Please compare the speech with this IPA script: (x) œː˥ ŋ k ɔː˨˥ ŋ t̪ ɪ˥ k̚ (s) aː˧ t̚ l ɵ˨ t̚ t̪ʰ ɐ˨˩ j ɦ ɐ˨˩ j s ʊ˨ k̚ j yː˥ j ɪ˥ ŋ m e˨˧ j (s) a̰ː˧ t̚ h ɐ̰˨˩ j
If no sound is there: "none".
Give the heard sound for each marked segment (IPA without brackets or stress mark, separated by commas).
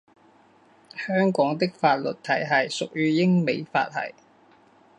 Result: h, f, f